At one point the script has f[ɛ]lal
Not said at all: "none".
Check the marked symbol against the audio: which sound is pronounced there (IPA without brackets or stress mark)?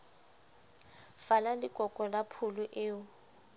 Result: a